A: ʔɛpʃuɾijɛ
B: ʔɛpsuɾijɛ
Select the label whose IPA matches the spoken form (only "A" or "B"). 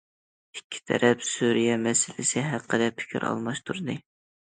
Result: B